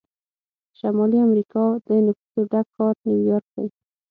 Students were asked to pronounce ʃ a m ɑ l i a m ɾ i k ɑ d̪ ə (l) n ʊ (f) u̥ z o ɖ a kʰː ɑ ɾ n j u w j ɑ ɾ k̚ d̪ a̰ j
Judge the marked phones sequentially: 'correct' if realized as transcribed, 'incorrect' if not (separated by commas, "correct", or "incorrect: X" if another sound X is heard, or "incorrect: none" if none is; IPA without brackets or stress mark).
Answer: incorrect: none, correct